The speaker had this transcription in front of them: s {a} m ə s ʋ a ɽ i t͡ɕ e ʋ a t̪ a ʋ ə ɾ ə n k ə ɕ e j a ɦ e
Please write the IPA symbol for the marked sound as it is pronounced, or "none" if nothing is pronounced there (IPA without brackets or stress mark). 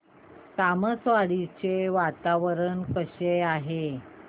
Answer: a